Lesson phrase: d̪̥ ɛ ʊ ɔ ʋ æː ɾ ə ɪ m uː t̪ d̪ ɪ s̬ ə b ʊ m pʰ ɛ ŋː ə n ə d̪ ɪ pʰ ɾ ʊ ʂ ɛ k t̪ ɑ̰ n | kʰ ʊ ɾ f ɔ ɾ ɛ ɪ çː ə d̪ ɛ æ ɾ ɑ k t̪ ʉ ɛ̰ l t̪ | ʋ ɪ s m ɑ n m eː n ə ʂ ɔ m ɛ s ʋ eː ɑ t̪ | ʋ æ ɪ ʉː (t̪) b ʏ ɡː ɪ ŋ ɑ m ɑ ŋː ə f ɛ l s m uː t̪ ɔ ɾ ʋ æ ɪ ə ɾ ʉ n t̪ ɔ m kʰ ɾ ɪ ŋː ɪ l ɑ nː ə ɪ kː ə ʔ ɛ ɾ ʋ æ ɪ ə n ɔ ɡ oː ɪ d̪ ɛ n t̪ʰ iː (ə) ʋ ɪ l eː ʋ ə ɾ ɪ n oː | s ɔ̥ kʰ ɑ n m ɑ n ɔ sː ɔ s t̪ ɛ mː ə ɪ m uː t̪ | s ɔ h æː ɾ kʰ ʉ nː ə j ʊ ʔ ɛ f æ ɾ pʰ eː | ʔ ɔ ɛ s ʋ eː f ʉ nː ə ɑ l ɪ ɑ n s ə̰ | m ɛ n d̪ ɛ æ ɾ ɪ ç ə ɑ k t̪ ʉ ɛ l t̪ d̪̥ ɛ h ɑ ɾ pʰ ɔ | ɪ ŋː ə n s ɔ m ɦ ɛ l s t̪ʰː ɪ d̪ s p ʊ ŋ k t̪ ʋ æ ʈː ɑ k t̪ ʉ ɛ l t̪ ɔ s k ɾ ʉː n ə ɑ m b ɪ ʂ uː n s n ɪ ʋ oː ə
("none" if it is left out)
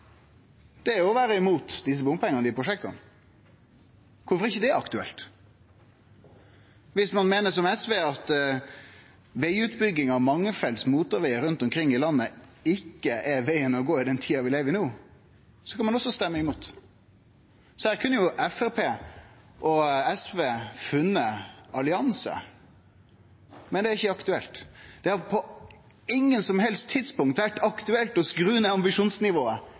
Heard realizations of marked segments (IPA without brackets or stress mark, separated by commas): t̪, ɑ